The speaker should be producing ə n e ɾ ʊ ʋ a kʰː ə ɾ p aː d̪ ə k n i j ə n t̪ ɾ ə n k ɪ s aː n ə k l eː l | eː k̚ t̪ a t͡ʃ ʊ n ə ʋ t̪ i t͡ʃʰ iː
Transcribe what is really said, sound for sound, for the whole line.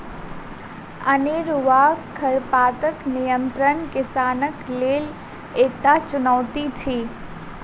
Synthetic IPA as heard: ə n e ɾ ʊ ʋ a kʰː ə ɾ p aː t̪ ə k n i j ə n t̪ ɾ ə n k ɪ s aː n ə k l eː l | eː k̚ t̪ a t͡ʃ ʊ n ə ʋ t̪ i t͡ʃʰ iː